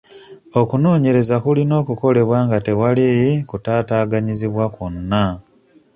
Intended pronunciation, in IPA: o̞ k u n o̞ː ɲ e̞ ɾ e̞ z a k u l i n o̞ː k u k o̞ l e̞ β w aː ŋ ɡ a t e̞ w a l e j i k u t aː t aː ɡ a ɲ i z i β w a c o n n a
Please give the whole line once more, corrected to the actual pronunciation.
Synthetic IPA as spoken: o̞ k u n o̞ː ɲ e̞ ɾ e̞ z a k u l i n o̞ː k u k o̞ l e̞ β w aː ŋ ɡ a t e̞ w a l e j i k u t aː t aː ɡ a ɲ i z i β w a k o n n a